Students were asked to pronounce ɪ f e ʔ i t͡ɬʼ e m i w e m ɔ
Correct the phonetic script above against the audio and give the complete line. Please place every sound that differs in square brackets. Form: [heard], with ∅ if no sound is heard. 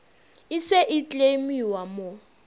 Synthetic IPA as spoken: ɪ [s] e ʔ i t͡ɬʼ e m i w [a] m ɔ